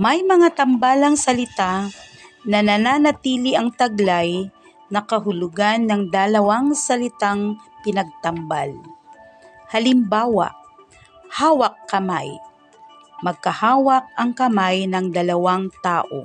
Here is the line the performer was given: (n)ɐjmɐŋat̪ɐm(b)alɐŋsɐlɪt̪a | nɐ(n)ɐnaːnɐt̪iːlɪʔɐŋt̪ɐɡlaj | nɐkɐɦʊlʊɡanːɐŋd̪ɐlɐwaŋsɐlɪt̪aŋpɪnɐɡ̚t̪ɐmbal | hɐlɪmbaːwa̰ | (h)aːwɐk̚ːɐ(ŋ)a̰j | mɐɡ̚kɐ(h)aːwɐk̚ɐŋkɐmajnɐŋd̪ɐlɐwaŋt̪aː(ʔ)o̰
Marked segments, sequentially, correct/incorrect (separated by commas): incorrect, correct, correct, correct, incorrect, correct, correct